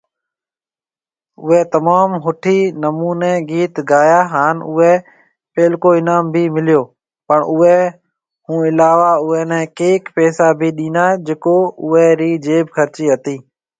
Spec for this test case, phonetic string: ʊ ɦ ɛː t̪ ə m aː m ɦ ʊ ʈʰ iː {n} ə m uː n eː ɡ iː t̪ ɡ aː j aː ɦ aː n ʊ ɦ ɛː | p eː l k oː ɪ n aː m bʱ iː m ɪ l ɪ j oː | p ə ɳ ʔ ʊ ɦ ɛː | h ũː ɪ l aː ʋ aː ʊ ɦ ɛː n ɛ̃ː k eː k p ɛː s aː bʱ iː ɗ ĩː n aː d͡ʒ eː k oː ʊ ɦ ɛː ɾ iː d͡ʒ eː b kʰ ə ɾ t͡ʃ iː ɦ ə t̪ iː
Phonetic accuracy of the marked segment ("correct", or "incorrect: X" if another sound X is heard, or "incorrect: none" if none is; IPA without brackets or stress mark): correct